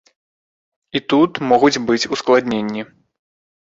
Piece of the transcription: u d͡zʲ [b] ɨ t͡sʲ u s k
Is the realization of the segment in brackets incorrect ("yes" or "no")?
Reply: no